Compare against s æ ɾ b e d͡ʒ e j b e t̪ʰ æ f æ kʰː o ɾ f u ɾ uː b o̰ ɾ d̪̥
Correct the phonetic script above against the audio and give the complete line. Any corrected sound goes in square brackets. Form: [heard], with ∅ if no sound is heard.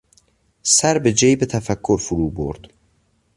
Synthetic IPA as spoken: s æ ɾ b e d͡ʒ e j b e t̪ʰ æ f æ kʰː o ɾ f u ɾ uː b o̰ ɾ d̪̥

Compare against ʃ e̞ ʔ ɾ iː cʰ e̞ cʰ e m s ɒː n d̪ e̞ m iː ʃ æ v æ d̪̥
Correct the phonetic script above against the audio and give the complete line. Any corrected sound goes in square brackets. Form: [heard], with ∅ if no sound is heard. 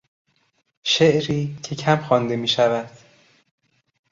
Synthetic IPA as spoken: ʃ e̞ ʔ ɾ iː cʰ e̞ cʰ [æ] m [x] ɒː n d̪ e̞ m iː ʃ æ v æ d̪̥

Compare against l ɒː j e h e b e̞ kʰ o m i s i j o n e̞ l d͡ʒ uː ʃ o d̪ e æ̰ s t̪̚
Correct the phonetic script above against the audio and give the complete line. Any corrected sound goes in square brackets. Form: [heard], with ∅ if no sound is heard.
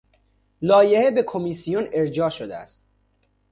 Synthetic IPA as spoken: l ɒː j e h e b e̞ kʰ o m i s i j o n e̞ [ɾ] d͡ʒ [ɒː] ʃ o d̪ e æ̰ s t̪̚

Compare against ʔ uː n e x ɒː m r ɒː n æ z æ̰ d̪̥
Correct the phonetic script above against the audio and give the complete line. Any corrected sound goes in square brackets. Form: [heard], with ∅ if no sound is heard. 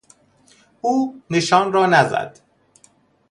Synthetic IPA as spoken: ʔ uː n e [ʃ] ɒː [n] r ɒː n æ z æ̰ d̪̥

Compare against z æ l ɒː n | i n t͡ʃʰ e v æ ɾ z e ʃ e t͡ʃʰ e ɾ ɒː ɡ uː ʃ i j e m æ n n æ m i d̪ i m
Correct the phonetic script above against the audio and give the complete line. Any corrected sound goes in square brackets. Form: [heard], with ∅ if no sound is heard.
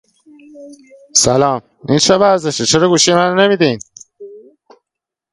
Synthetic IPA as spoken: [s] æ l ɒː [m] | i n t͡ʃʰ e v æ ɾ z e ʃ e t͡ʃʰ e ɾ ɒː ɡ uː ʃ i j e m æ n n [e] m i d̪ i [n]

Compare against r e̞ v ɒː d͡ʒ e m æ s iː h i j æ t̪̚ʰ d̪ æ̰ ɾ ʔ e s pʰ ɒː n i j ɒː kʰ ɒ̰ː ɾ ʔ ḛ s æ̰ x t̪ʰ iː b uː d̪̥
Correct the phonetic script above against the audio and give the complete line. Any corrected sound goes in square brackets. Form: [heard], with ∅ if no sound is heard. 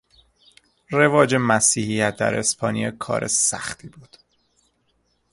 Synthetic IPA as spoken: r e̞ v ɒː d͡ʒ e m æ s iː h i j æ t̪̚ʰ d̪ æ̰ ɾ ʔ e s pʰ ɒː n i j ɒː kʰ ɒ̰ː ɾ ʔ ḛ s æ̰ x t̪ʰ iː b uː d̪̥

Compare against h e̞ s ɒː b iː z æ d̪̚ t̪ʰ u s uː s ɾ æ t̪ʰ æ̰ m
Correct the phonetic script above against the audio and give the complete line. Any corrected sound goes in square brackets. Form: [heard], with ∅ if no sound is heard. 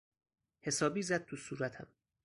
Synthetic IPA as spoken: h e̞ s ɒː b iː z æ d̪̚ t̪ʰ u s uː [∅] ɾ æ t̪ʰ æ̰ m

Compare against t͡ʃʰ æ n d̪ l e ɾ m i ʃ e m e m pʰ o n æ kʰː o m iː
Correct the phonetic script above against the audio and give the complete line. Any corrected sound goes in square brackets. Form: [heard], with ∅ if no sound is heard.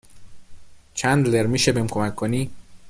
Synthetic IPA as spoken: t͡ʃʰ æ n d̪ l e ɾ m i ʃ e [b] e m [kʰ] o [m] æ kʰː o [n] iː

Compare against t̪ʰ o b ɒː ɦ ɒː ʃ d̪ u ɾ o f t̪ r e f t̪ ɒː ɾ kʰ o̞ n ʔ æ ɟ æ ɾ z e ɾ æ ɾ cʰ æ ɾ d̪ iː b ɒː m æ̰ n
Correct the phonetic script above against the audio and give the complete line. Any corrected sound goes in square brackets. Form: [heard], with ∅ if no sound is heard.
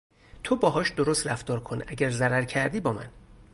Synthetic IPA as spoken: t̪ʰ o b ɒː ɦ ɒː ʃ d̪ [o] ɾ o [s] t̪ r [æ] f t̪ ɒː ɾ kʰ o̞ n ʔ æ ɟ æ ɾ z [æ] ɾ æ ɾ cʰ æ ɾ d̪ iː b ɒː m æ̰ n

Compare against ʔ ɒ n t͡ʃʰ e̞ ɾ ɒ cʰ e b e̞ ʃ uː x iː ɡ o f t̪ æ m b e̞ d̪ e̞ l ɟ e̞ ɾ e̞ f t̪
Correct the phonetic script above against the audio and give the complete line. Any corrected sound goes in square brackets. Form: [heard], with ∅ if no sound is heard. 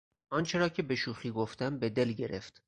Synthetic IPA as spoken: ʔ ɒ n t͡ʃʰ e̞ ɾ [ɒː] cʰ e b e̞ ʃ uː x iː ɡ o f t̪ æ m b e̞ d̪ e̞ l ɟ e̞ ɾ e̞ f t̪

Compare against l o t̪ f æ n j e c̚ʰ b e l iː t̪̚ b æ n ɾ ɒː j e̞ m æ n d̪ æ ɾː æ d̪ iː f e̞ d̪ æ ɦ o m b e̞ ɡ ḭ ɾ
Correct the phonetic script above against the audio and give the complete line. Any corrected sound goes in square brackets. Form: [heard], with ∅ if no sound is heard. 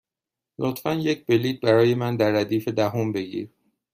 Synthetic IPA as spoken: l o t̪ f æ n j e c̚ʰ b e l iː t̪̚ b æ [∅] ɾ ɒː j e̞ m æ n d̪ æ ɾː æ d̪ iː f e̞ d̪ æ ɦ o m b e̞ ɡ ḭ ɾ

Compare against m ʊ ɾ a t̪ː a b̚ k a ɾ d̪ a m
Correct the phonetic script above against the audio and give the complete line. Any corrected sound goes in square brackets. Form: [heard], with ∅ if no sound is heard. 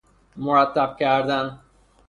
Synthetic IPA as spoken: m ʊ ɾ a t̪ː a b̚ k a ɾ d̪ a [n]

